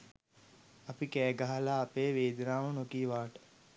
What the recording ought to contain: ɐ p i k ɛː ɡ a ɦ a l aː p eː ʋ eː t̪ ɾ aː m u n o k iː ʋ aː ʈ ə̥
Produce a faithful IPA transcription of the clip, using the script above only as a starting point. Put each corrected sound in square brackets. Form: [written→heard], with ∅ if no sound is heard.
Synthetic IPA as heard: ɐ p i k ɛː ɡ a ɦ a l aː p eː ʋ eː [t̪→d̪] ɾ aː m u n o k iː ʋ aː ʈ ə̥